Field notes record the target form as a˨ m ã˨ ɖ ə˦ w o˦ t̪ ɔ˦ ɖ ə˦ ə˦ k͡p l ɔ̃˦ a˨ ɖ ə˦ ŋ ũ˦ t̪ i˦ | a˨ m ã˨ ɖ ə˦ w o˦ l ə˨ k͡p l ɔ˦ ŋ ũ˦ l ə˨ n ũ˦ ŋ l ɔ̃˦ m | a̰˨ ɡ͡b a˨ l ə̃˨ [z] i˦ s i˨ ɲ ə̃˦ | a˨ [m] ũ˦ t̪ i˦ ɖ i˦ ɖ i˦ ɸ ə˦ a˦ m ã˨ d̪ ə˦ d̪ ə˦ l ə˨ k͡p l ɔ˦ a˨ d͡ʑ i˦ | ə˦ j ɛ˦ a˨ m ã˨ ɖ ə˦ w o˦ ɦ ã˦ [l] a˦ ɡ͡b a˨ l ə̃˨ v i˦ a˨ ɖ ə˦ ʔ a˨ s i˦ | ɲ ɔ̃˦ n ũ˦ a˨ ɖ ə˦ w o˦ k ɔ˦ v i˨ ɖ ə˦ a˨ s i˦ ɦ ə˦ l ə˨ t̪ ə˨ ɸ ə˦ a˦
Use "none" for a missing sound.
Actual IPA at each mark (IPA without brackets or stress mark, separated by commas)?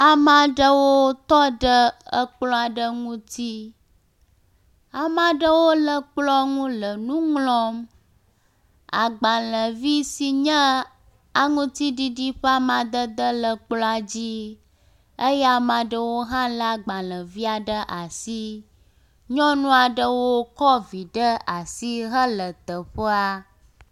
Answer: v, ŋ, l